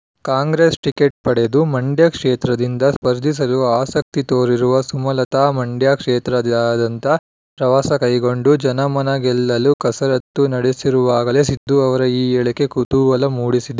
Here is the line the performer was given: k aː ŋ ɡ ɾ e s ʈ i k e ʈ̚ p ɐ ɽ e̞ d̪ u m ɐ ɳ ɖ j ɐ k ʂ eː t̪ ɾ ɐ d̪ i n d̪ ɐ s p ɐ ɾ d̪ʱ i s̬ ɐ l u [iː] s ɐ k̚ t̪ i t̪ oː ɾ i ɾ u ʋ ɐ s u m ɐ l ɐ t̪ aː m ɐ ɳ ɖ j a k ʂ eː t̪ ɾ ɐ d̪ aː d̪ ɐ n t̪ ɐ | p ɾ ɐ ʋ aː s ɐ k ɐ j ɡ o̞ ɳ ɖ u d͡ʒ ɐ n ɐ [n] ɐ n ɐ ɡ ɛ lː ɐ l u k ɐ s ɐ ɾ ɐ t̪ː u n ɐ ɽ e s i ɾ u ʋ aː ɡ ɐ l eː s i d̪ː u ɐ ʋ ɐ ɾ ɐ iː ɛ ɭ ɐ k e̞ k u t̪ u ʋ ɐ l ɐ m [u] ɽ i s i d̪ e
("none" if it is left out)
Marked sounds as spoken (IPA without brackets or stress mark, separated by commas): aː, m, uː